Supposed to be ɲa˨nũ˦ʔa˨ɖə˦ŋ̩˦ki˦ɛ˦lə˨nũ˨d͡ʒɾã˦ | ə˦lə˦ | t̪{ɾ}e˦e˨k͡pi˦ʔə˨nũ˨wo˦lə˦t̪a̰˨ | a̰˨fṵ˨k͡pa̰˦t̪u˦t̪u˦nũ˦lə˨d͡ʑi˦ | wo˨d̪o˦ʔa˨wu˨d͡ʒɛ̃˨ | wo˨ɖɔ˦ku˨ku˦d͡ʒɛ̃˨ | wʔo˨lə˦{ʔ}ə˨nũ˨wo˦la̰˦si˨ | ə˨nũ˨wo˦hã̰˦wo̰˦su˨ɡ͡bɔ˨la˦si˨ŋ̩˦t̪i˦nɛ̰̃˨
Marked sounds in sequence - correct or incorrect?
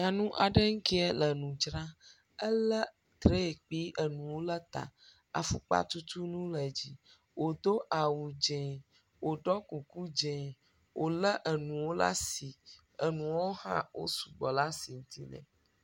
correct, correct

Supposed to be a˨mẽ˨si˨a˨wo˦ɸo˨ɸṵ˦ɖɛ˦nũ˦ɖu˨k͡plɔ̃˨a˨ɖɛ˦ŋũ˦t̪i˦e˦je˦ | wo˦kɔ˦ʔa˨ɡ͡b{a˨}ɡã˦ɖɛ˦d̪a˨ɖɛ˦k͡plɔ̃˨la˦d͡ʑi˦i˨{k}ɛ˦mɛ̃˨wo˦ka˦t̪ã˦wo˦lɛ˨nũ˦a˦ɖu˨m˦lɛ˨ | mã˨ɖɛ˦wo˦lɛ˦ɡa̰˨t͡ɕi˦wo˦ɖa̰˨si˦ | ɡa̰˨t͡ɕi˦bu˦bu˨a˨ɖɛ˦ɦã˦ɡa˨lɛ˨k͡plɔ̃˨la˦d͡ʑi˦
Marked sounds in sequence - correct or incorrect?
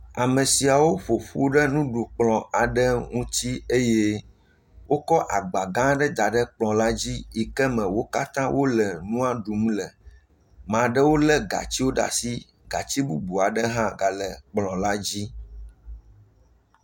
correct, correct

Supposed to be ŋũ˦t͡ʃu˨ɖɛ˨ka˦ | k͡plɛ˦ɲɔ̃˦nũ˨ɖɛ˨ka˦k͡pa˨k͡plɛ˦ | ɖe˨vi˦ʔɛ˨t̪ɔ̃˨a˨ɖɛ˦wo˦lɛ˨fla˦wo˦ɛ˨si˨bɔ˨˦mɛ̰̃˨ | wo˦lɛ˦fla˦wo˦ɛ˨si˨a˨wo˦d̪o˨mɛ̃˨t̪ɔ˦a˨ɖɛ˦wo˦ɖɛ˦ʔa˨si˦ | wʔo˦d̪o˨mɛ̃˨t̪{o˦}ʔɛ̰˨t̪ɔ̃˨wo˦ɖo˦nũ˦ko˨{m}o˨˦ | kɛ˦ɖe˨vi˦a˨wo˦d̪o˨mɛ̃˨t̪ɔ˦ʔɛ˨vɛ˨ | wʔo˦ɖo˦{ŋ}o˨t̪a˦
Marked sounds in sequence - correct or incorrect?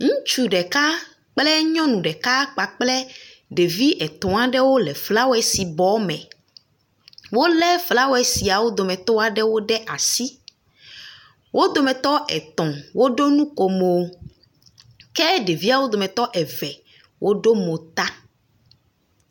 incorrect, correct, incorrect

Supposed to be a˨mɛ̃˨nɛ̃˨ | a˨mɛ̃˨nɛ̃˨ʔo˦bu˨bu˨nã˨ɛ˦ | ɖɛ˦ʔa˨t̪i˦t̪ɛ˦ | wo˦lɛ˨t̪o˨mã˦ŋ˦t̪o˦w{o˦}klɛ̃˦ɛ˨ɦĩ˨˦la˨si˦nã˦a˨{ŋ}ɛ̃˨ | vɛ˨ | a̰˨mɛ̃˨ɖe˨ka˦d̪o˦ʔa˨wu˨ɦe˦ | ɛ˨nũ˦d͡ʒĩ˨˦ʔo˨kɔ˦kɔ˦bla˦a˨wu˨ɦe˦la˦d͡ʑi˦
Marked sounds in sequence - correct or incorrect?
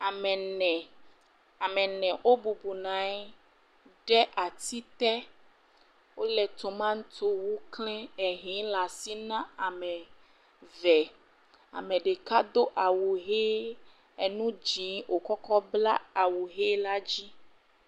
incorrect, incorrect

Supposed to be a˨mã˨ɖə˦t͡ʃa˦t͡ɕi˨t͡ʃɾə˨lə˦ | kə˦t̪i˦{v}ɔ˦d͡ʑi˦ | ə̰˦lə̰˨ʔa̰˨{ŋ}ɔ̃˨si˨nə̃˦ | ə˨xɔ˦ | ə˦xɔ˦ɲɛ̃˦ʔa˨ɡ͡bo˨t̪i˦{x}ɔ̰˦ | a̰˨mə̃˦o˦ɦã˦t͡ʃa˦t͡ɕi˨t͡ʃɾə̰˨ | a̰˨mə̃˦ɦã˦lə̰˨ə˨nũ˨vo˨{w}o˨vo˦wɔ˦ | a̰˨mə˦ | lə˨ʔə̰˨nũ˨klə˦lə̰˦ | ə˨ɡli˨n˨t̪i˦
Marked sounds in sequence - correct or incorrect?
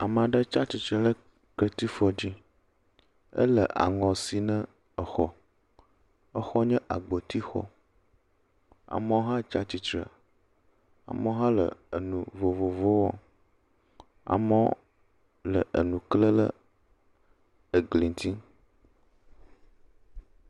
incorrect, correct, correct, incorrect

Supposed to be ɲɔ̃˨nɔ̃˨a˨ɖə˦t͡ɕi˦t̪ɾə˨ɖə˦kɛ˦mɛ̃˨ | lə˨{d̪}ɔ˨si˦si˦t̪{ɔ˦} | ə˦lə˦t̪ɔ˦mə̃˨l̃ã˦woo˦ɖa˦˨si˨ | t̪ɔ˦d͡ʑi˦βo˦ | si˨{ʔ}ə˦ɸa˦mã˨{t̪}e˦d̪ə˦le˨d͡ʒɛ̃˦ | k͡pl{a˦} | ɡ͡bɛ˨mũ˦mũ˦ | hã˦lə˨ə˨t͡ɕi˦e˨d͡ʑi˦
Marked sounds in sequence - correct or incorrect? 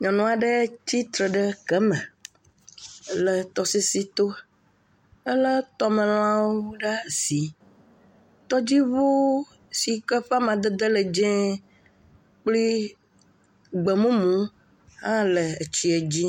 incorrect, incorrect, incorrect, incorrect, incorrect

